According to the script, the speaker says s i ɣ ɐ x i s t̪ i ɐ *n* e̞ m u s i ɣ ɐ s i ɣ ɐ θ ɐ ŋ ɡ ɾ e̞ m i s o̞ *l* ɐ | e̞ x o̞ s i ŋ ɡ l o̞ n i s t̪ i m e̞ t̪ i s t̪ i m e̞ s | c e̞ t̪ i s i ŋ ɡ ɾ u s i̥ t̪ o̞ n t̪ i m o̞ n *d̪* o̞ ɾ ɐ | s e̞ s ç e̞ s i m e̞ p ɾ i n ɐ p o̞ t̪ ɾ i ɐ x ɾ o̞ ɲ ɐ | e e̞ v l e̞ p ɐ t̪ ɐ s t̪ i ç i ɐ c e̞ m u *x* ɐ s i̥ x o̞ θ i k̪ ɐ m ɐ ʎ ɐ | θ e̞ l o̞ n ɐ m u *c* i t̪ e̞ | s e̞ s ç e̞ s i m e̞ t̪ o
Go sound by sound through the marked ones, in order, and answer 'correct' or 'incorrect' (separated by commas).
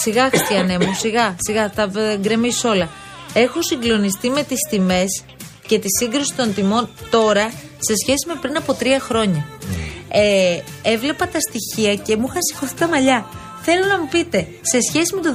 correct, correct, incorrect, correct, incorrect